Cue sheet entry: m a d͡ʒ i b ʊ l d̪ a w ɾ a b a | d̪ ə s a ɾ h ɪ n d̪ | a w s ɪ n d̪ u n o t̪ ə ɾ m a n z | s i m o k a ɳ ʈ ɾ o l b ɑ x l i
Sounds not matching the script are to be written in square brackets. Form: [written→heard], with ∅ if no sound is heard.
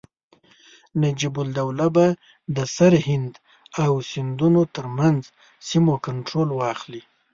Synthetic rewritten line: [m→n] a d͡ʒ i b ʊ l d̪ a w [ɾ→l] a b a | d̪ ə s a ɾ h ɪ n d̪ | a w s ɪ n d̪ u n o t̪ ə ɾ m a n z | s i m o k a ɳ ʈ ɾ o l [b→w] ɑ x l i